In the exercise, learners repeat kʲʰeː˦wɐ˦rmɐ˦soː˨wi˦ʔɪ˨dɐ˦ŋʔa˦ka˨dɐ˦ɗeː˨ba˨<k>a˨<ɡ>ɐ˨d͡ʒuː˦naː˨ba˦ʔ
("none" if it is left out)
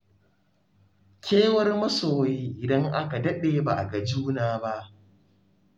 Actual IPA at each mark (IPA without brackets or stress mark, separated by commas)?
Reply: ʔ, ɡ